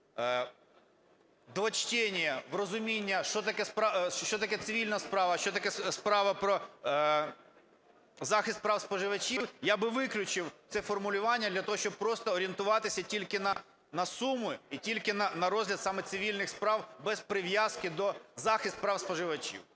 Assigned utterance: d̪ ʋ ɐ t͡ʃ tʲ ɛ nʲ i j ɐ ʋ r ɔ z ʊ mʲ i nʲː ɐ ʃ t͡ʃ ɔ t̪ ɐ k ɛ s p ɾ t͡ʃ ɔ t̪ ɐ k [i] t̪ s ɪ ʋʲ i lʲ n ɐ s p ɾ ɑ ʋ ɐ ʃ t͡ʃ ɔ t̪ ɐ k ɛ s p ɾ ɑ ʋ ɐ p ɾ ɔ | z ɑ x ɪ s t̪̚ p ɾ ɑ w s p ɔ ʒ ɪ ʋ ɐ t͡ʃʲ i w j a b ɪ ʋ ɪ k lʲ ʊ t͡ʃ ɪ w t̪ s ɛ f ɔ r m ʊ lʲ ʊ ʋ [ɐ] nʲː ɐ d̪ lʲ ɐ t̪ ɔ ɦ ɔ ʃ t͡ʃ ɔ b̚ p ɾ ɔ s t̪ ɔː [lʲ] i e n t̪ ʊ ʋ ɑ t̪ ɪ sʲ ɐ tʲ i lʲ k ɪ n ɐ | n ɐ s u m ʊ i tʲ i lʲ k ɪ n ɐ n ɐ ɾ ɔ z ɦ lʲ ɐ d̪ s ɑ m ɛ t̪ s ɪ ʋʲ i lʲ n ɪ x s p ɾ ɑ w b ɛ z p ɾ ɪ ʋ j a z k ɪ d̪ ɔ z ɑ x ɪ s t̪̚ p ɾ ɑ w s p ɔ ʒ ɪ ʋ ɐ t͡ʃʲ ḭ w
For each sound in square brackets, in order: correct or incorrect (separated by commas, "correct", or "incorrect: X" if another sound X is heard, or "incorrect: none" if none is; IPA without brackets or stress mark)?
incorrect: ɛ, incorrect: ɑ, incorrect: ɾʲ